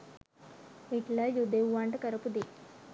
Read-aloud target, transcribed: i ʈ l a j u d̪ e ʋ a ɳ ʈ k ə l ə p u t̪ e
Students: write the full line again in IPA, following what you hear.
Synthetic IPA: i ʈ l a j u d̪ e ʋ a ɳ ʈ k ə ɾ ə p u d̪ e